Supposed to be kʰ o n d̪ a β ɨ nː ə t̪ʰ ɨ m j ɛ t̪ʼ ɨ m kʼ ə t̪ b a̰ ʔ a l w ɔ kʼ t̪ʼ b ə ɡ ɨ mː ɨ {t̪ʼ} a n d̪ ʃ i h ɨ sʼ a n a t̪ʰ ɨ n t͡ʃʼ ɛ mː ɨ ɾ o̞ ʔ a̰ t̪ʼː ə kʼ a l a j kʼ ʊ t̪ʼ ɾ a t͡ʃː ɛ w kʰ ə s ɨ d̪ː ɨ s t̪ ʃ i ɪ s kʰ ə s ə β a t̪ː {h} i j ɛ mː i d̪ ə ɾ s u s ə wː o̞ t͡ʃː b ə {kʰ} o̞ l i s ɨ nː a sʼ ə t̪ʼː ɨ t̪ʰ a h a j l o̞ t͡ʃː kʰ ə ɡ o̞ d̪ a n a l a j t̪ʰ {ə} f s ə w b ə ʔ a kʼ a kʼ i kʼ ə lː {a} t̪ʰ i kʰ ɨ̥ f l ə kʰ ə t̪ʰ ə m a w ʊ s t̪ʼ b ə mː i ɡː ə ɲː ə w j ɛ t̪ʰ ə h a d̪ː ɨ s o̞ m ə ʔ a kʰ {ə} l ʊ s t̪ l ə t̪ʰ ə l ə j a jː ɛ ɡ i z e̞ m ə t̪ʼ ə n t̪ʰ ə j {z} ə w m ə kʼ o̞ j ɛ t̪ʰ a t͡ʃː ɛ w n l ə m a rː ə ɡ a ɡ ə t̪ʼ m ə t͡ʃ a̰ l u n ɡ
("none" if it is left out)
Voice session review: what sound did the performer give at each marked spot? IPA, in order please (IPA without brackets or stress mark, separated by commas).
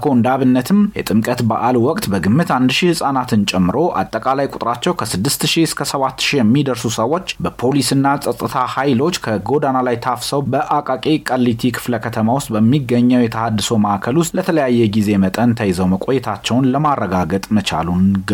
t̪, ʃ, pʰ, a, i, ə, z